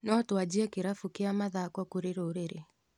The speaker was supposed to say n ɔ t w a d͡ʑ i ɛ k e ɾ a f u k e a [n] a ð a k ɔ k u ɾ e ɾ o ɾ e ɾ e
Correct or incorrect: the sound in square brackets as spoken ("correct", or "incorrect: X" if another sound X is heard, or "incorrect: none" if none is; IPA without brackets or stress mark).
incorrect: m